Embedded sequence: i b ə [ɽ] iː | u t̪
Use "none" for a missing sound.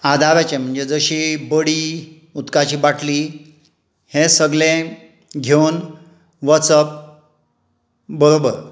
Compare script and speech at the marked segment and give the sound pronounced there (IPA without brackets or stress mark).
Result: ɽ